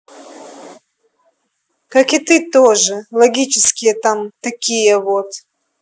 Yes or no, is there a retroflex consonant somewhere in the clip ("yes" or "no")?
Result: yes